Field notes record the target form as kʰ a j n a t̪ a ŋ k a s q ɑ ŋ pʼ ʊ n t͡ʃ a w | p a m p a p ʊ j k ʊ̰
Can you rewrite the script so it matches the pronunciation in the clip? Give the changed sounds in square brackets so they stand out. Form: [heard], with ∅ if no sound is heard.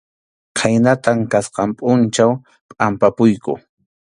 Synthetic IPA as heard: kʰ a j n a t̪ a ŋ k a s q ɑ [m] pʼ ʊ n t͡ʃ a w | [pʼ] a m p a p ʊ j k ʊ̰

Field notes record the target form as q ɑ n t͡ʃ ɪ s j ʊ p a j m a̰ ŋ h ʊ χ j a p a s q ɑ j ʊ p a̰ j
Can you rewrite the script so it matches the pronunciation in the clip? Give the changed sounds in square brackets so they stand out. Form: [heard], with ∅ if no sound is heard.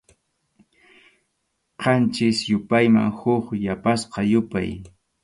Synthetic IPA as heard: q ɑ n t͡ʃ ɪ s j ʊ p a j m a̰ ŋ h ʊ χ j a p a s q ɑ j ʊ p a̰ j

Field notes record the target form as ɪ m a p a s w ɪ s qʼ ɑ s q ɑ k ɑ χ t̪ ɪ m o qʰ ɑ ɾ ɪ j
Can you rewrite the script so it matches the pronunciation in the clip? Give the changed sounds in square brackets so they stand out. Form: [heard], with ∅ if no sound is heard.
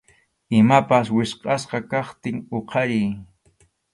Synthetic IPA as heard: ɪ m a p a s w ɪ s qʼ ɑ s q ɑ k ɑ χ t̪ ɪ [ŋ] o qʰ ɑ ɾ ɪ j

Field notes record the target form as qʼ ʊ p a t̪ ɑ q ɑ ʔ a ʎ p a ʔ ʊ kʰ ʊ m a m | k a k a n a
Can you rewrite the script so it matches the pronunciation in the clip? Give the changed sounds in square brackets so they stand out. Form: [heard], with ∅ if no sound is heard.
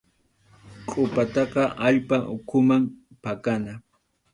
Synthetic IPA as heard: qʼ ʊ p a t̪ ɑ q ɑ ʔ a ʎ p a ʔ ʊ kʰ ʊ m a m | [p] a k a n a

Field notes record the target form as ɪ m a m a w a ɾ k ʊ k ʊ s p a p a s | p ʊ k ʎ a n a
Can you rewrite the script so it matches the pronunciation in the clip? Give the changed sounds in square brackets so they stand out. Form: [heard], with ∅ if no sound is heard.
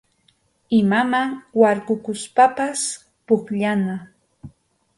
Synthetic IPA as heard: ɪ m a m a w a ɾ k ʊ k ʊ s p a p a s | p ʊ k ʎ a n a

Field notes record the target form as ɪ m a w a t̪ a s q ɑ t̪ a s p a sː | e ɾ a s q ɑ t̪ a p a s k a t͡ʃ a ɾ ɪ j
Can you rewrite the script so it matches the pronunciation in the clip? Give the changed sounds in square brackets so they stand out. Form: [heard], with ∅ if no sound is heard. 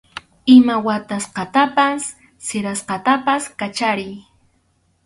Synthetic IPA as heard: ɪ m a w a t̪ a s q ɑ t̪ a [∅] p a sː | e ɾ a s q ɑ t̪ a p a s k a t͡ʃ a ɾ ɪ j

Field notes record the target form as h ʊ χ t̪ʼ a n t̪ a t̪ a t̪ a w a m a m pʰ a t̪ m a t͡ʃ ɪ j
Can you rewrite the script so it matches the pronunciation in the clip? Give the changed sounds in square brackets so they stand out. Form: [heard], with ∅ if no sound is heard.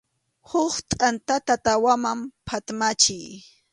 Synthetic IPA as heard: h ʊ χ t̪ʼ a n t̪ a t̪ a t̪ a w a m a m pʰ a t̪ m a t͡ʃ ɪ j

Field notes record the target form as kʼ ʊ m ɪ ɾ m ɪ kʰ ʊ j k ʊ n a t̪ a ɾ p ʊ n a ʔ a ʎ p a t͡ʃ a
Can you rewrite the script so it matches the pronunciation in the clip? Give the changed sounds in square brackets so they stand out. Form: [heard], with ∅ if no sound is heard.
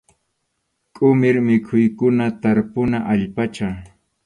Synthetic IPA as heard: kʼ ʊ m ɪ ɾ m ɪ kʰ ʊ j k ʊ n a t̪ a ɾ p ʊ n a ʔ a ʎ p a t͡ʃ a

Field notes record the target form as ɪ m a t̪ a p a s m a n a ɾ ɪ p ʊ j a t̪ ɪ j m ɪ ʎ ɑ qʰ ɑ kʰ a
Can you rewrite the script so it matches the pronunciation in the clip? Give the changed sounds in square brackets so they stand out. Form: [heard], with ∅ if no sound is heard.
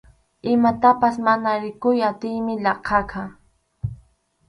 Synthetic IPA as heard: ɪ m a t̪ a p a s m a n a ɾ ɪ [k] ʊ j a t̪ ɪ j m ɪ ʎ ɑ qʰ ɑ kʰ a

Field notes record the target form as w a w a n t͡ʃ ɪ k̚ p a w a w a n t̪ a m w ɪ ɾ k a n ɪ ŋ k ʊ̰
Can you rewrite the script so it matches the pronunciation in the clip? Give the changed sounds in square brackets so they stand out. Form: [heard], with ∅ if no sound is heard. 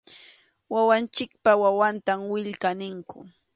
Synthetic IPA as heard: w a w a n t͡ʃ ɪ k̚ p a w a w a n t̪ a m w ɪ [ʎ] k a n ɪ ŋ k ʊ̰

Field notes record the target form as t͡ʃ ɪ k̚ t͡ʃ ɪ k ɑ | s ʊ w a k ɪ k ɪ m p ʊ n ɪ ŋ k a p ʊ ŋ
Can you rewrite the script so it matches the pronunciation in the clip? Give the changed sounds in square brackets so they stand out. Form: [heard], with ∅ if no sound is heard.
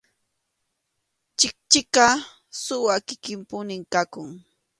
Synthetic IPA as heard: t͡ʃ ɪ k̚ t͡ʃ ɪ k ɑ | s ʊ w a k ɪ k ɪ m p ʊ n ɪ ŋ k a [k] ʊ ŋ

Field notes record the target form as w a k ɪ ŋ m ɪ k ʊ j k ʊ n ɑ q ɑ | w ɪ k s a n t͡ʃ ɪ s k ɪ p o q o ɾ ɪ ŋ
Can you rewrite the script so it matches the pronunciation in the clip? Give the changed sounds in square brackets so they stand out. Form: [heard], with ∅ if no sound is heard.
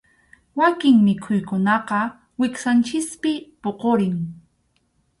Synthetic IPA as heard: w a k ɪ ŋ m ɪ [kʰ] ʊ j k ʊ n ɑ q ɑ | w ɪ k s a n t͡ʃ ɪ s [p] ɪ p o q o ɾ ɪ ŋ

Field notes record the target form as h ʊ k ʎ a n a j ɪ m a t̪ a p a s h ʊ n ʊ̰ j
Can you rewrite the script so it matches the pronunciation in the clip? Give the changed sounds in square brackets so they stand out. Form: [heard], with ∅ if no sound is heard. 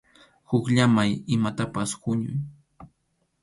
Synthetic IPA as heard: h ʊ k ʎ a [m] a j ɪ m a t̪ a p a s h ʊ [ɲ] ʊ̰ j

